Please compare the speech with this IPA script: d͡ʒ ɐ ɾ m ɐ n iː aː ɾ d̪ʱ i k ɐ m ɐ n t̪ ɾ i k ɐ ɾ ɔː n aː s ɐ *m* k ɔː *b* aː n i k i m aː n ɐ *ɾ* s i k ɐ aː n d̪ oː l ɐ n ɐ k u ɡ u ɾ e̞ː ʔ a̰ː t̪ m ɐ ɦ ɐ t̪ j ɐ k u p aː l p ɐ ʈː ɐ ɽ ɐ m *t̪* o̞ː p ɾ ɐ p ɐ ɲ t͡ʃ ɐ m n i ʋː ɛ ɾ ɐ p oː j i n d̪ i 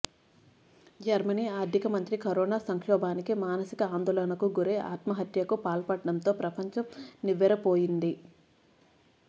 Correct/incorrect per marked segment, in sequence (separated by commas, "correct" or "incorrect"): incorrect, correct, incorrect, correct